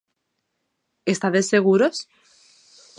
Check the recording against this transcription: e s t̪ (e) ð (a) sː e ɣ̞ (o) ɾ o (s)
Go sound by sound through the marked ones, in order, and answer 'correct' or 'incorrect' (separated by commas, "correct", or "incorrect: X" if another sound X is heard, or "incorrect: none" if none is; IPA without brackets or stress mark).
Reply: incorrect: a, incorrect: e, incorrect: u, correct